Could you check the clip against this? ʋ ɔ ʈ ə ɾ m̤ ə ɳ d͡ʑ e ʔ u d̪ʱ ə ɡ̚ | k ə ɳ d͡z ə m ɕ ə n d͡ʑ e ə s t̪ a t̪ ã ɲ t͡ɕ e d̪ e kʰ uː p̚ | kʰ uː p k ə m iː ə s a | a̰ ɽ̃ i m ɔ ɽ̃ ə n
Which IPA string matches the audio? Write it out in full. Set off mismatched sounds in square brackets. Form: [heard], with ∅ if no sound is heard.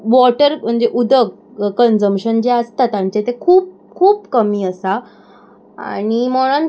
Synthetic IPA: ʋ ɔ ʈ ə ɾ m̤ ə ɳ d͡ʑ e ʔ u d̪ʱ ə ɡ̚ | k ə [n] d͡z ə m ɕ ə n d͡ʑ e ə s t̪ a t̪ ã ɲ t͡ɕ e [t̪] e kʰ uː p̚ | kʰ uː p k ə m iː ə s a | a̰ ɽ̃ i m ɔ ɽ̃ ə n